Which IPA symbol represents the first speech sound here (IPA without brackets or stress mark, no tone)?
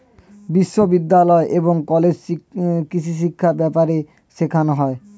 b